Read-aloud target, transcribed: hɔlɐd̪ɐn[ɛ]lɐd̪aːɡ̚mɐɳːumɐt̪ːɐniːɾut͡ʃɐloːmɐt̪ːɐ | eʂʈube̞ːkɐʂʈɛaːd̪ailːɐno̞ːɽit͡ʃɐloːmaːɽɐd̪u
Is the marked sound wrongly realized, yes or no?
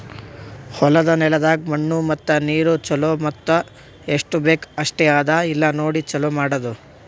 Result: no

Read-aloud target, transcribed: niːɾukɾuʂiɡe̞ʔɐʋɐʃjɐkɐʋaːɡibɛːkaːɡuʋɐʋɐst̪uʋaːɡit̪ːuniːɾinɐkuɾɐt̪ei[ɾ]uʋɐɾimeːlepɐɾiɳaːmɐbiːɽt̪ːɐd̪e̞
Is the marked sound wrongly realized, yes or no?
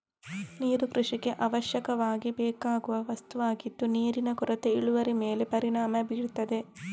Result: yes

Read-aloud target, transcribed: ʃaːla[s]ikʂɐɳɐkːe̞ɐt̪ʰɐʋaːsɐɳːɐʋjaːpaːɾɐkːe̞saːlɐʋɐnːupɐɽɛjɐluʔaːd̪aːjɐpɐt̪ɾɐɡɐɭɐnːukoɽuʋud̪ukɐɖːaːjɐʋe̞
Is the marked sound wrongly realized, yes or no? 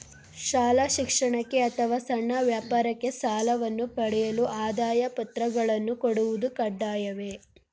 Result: yes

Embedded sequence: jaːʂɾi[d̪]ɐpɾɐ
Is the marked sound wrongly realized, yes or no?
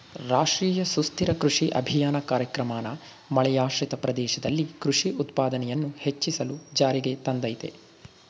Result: yes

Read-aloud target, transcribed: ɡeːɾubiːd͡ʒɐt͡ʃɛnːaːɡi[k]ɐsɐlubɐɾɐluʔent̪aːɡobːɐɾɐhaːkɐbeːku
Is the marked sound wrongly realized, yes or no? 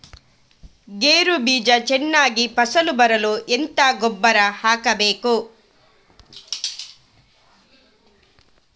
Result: yes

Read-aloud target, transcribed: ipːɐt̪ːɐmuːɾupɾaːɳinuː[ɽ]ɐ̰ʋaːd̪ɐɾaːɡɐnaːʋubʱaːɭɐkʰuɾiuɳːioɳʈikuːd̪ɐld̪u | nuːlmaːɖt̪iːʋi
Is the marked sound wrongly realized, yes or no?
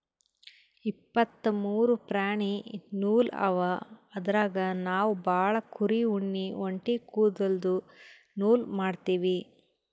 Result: yes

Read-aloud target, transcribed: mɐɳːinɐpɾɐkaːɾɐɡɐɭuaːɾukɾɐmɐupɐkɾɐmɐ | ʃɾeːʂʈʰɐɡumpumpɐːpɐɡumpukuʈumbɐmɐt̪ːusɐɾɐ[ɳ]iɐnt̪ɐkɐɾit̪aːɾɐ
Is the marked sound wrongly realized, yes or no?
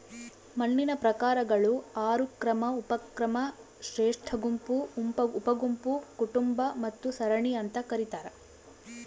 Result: no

